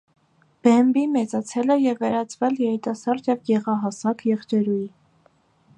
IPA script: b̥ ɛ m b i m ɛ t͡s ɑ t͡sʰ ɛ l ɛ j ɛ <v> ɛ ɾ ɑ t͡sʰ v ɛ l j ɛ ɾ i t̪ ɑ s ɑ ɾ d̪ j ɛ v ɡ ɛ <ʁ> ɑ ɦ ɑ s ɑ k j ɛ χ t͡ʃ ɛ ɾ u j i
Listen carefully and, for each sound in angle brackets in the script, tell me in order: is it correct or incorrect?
incorrect, correct

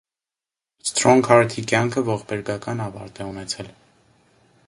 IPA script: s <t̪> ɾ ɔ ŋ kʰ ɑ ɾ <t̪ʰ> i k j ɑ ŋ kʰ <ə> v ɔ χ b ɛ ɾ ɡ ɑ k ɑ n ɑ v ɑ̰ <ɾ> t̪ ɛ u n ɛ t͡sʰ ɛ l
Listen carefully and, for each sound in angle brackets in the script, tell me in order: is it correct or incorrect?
correct, correct, correct, correct

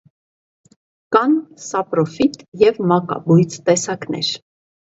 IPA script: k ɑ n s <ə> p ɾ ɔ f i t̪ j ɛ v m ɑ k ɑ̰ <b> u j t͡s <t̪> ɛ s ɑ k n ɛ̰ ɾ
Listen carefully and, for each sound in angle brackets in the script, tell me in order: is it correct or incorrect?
incorrect, correct, correct

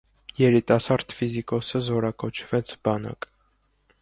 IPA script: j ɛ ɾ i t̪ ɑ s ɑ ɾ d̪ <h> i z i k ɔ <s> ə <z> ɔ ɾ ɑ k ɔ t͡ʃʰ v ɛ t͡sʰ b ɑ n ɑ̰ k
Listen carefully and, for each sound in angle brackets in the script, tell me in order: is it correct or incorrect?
incorrect, correct, correct

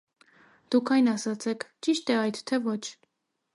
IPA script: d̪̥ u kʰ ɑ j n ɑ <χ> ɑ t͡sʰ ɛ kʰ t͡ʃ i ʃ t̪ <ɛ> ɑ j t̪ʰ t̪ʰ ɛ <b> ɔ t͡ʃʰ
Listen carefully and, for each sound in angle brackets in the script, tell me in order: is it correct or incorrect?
incorrect, correct, incorrect

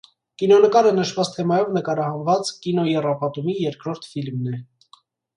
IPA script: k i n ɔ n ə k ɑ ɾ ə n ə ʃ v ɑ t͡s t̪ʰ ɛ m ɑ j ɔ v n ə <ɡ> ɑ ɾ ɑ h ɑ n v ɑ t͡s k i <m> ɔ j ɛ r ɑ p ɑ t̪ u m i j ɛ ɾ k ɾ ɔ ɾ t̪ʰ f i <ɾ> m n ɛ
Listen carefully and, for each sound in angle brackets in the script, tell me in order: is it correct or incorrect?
incorrect, incorrect, incorrect

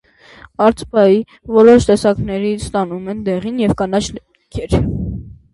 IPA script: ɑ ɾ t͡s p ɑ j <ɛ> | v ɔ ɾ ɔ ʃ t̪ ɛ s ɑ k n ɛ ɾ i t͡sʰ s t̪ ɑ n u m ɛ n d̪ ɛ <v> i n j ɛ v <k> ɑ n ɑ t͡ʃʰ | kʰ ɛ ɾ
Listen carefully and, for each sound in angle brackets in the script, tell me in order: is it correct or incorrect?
incorrect, incorrect, correct

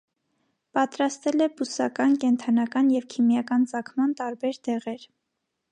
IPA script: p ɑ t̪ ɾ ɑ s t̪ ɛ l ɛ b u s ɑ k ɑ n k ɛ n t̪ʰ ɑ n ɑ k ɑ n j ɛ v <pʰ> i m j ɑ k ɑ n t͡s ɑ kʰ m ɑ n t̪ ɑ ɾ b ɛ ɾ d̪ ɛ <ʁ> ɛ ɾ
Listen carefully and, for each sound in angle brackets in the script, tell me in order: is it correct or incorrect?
incorrect, correct

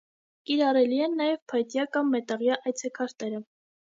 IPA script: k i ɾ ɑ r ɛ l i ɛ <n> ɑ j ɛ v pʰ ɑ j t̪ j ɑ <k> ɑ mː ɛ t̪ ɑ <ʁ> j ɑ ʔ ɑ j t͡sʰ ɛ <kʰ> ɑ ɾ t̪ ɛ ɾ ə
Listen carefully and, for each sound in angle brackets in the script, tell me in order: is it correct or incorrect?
incorrect, correct, correct, correct

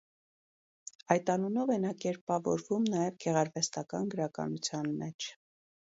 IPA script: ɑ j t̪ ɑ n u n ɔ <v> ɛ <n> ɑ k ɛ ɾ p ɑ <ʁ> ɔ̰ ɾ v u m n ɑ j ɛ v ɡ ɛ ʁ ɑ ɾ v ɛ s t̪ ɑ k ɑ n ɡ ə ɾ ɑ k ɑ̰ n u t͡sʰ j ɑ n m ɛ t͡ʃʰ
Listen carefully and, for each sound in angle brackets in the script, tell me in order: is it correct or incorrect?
correct, correct, incorrect

